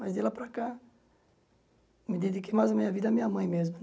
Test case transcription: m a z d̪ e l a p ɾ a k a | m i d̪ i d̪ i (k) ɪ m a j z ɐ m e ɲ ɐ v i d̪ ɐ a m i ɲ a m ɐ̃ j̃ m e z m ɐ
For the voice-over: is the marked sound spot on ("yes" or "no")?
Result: yes